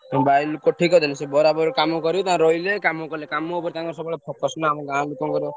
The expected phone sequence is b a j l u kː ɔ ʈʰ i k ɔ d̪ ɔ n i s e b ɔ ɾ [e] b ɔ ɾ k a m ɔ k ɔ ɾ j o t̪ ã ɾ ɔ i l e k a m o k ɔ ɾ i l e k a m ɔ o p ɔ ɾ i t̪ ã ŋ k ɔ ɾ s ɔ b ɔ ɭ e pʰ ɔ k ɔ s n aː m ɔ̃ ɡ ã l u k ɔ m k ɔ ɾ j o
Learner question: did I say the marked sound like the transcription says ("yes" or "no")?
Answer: no